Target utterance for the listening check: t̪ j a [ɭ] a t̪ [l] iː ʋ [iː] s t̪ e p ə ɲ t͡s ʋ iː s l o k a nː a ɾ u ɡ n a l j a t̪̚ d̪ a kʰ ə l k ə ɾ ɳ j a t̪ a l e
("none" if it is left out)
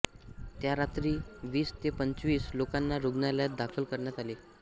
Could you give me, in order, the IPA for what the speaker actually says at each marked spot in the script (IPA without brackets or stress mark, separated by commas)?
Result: ɾ, ɾ, iː